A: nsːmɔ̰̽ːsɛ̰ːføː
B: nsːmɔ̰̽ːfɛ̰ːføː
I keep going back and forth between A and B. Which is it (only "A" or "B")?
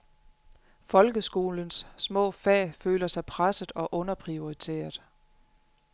B